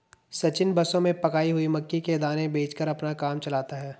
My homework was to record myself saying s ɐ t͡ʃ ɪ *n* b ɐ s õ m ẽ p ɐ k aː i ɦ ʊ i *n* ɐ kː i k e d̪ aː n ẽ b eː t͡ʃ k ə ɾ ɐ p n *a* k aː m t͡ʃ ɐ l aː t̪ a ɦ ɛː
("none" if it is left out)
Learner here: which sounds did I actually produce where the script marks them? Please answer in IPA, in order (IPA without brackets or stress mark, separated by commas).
n, m, a